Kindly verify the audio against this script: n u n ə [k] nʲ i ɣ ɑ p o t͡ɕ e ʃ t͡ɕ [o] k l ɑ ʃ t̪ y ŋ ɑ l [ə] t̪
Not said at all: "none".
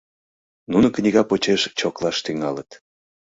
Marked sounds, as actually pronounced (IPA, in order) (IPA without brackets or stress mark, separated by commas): k, o, ə